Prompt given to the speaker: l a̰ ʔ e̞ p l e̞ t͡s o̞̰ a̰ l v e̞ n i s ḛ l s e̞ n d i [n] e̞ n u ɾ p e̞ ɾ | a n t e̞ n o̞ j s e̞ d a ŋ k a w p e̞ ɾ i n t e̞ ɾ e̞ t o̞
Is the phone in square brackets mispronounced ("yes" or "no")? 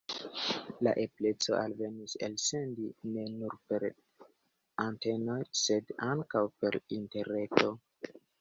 no